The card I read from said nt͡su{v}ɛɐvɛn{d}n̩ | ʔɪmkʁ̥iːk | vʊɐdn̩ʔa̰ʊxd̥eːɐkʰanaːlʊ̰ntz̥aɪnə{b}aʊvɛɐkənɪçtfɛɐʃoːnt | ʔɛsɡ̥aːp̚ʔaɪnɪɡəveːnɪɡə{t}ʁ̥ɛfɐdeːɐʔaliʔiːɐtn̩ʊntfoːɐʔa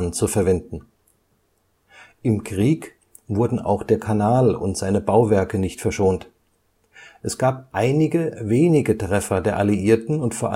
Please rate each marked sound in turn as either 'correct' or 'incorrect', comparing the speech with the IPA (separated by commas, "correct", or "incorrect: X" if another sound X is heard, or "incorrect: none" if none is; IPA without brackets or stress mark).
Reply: incorrect: f, correct, correct, correct